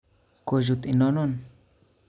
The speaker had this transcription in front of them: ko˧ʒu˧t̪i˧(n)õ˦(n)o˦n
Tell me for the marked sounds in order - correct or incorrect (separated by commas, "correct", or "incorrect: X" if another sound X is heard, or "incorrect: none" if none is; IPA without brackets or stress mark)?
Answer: correct, correct